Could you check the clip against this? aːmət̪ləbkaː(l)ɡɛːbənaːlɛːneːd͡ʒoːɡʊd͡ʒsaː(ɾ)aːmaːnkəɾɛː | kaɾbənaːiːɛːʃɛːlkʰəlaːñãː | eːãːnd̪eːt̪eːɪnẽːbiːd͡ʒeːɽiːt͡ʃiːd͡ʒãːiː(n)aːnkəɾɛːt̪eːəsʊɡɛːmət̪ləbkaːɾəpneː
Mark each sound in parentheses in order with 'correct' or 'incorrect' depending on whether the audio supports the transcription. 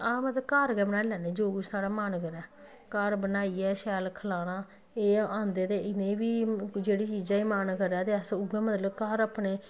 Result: incorrect, incorrect, incorrect

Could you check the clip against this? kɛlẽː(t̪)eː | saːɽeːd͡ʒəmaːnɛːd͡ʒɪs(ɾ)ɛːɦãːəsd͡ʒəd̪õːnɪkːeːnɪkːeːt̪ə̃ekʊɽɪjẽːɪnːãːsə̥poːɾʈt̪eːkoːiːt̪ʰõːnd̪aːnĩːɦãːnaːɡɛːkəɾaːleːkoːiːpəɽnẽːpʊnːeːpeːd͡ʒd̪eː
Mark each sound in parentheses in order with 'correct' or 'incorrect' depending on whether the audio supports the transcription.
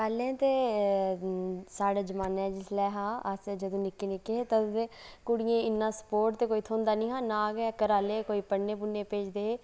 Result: correct, incorrect

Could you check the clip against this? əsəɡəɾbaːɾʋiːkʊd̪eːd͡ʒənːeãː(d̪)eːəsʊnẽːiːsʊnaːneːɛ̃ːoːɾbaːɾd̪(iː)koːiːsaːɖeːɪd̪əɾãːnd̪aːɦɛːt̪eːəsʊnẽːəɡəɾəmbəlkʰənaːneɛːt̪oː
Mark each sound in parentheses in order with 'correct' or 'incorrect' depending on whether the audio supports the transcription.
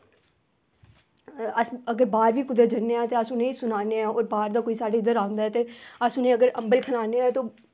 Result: incorrect, incorrect

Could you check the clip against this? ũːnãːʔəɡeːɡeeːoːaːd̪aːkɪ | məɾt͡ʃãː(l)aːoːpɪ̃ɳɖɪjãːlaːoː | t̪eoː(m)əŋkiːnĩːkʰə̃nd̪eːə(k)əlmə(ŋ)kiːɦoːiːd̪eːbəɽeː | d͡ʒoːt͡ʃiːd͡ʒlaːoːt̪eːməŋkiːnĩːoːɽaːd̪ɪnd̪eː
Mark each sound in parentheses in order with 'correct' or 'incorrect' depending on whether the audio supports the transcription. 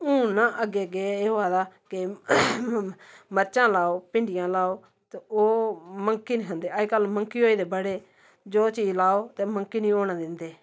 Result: correct, correct, correct, correct

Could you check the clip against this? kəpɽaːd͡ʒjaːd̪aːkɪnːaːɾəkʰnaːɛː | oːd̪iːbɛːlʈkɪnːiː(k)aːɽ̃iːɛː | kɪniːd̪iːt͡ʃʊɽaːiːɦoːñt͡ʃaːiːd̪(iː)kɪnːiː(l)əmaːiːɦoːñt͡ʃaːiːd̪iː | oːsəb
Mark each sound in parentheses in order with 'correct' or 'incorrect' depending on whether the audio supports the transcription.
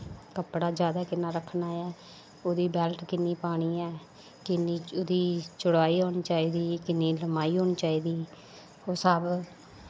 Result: incorrect, correct, correct

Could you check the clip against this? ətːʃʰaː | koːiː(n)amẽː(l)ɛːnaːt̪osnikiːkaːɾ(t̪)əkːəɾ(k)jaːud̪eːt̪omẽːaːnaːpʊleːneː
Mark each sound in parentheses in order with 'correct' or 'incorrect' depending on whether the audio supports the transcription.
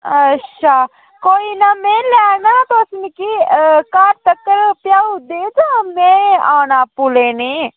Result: correct, correct, correct, incorrect

